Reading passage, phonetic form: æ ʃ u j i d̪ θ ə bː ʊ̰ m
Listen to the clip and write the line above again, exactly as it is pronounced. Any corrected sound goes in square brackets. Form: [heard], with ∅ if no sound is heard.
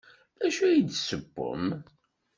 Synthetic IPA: æ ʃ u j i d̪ [s] ə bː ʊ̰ m